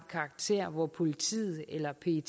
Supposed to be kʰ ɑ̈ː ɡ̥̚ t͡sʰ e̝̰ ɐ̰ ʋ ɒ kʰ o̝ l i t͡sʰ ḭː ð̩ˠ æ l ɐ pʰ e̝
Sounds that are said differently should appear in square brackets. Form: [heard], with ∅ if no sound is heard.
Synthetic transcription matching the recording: kʰ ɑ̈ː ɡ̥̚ t͡sʰ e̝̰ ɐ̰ ʋ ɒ [pʰ] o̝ l i t͡sʰ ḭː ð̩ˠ [e] l ɐ pʰ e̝